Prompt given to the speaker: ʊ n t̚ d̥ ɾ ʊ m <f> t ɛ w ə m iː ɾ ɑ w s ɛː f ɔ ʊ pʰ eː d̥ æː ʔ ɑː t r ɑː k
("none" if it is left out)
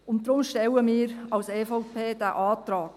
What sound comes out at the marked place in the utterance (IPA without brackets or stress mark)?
ʃ